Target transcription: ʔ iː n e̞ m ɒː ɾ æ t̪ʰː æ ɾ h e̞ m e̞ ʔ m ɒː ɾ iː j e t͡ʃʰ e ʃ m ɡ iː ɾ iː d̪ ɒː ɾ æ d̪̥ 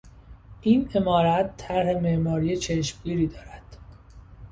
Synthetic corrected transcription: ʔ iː n e̞ m ɒː ɾ æ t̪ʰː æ ɾ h e̞ m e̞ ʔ m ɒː ɾ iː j e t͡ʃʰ e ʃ m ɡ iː ɾ iː d̪ ɒː ɾ æ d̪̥

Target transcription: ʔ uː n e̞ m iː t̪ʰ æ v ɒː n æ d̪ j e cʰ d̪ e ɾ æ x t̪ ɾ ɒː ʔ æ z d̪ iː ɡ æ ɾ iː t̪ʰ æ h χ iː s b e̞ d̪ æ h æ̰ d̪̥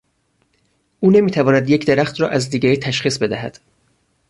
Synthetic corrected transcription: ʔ uː n e̞ m iː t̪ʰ æ v ɒː n æ d̪ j e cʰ d̪ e ɾ æ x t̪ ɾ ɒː ʔ æ z d̪ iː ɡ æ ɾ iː t̪ʰ æ ʃ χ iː s b e̞ d̪ æ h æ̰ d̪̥

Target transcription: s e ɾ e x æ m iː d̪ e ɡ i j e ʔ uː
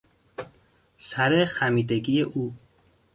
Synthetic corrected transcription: s æ ɾ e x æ m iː d̪ e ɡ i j e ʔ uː

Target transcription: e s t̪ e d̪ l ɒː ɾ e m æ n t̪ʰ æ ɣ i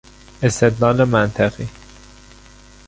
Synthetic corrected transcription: e s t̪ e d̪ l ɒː l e m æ n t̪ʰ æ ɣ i

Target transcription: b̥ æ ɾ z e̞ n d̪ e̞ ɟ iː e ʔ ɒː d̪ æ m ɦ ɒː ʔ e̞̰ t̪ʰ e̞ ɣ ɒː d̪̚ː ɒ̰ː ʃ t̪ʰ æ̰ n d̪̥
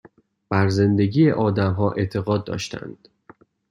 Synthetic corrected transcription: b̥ æ ɾ z e̞ n d̪ e̞ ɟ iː e ʔ ɒː d̪ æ m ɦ ɒː ʔ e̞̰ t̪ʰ e̞ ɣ ɒː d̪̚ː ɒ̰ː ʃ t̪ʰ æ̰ n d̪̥

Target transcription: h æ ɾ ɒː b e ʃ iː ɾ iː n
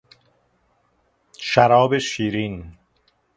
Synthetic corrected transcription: ʃ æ ɾ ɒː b e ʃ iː ɾ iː n

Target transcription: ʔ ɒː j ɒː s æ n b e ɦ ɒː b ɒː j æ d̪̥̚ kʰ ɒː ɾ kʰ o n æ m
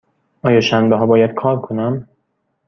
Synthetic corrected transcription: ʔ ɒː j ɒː ʃ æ n b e ɦ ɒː b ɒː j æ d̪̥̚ kʰ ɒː ɾ kʰ o n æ m

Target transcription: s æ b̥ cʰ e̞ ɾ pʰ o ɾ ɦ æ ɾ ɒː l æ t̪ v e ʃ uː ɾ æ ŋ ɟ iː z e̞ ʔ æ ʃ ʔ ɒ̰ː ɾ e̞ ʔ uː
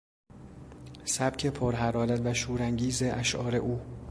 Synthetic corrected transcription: s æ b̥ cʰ e̞ pʰ o ɾ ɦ æ ɾ ɒː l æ t̪ v æ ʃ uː ɾ æ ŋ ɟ iː z e̞ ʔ æ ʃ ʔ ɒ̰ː ɾ e̞ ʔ uː

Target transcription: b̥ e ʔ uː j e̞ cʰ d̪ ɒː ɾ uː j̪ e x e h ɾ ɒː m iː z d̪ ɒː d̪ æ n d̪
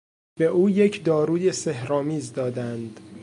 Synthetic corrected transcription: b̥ e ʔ uː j e̞ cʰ d̪ ɒː ɾ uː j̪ e s e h ɾ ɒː m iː z d̪ ɒː d̪ æ n d̪

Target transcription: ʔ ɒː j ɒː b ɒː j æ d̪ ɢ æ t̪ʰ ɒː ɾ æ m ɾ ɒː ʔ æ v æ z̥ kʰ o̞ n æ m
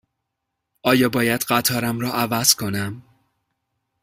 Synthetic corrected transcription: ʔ ɒː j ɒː b ɒː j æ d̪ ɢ æ t̪ʰ ɒː ɾ æ m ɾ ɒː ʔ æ v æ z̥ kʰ o̞ n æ m

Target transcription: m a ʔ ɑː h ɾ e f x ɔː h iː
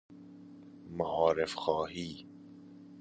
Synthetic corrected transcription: m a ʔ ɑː ɾ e f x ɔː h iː

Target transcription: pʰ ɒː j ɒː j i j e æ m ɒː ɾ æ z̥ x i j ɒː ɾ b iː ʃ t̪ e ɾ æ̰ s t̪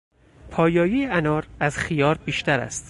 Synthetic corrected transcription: pʰ ɒː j ɒː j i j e æ n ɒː ɾ æ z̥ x i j ɒː ɾ b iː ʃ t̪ æ ɾ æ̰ s t̪

